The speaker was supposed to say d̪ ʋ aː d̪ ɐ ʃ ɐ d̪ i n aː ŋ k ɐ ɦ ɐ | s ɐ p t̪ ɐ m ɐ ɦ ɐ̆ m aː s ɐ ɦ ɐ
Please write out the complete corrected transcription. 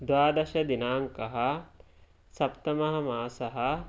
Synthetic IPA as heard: d̪ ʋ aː d̪ ɐ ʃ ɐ d̪ i n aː ŋ k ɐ ɦ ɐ | s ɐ p t̪ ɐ m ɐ ɦ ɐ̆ m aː s ɐ ɦ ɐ